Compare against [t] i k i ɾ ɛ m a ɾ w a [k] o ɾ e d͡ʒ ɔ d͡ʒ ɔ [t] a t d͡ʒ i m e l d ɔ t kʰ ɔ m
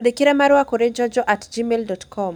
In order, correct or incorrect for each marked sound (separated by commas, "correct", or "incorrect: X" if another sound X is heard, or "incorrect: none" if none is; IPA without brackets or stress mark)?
incorrect: d, correct, incorrect: ʔ